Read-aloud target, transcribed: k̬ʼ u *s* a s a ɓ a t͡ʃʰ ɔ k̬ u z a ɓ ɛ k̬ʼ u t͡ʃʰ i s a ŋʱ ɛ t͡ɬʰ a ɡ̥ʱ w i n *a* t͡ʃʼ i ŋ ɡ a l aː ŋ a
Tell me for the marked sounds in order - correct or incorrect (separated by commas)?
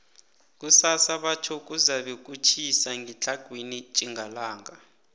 correct, incorrect